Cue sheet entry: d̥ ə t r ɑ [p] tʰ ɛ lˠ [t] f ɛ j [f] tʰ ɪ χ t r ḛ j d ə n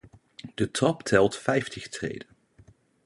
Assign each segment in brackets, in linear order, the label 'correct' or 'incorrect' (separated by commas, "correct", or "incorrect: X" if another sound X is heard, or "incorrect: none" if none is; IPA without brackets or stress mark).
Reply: correct, correct, correct